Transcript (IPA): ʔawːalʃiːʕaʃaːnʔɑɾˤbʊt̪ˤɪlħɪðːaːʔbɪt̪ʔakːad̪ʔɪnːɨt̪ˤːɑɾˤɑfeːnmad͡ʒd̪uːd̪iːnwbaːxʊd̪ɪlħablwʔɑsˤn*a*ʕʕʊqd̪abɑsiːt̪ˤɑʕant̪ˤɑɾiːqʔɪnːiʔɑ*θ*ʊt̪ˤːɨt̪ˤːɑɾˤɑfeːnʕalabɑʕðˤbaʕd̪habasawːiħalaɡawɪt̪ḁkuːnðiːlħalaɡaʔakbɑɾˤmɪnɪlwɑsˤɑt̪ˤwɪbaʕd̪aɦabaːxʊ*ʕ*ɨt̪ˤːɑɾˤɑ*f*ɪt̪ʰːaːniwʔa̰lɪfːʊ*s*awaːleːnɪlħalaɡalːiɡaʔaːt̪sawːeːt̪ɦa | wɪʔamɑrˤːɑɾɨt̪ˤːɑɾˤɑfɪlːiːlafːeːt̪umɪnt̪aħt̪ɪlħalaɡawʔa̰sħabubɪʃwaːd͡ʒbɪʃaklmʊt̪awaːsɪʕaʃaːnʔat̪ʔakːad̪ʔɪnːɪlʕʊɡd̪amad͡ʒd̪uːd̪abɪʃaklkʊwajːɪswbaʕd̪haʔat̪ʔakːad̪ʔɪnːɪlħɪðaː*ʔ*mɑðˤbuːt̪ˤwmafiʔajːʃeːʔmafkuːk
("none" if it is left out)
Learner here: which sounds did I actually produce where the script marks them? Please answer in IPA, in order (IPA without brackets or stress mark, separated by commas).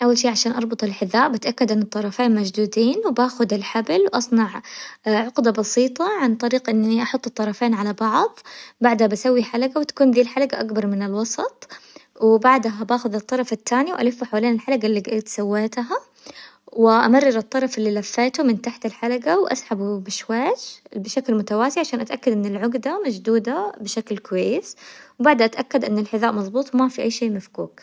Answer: ɑ, ħ, ð, f, ħ, ʔ